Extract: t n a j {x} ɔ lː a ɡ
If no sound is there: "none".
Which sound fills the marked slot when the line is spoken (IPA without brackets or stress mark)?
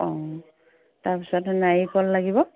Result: k